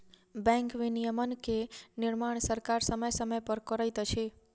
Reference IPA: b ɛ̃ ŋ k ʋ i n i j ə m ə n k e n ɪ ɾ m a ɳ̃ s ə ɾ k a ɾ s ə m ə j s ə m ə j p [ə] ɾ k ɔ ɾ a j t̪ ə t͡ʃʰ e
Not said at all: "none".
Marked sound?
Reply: ə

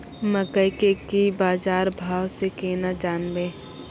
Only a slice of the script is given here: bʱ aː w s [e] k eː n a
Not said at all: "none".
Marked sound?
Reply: e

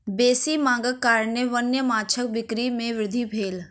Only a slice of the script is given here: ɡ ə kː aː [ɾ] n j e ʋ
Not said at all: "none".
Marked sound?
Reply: ɾ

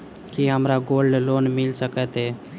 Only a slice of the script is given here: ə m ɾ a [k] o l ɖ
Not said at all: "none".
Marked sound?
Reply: ɡ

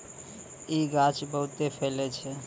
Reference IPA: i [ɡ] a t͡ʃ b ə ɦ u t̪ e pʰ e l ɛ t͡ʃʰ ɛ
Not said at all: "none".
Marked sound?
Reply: ɡ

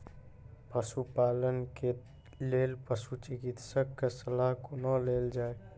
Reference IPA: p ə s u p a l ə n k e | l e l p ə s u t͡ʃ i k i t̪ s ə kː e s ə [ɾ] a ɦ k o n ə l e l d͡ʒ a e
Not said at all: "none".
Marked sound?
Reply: l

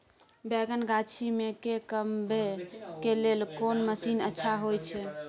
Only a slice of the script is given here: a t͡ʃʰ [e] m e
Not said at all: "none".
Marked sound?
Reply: i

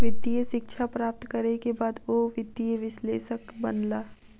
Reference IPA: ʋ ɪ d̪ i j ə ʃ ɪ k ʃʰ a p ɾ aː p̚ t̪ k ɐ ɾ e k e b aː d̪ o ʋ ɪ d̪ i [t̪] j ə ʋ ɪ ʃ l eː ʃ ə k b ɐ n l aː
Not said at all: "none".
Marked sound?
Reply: none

